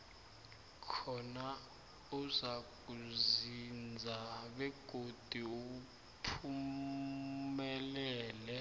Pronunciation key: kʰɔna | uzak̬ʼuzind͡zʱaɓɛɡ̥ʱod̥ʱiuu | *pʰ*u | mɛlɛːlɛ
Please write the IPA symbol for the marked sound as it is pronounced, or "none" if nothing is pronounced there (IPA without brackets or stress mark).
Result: pʰ